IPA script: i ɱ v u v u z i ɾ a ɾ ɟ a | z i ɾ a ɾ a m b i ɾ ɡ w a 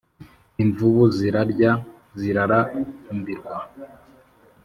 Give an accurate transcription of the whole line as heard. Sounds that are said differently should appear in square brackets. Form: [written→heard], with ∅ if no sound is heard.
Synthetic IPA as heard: i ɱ v u [v→β] u z i ɾ a ɾ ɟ a | z i ɾ a ɾ a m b i ɾ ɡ w a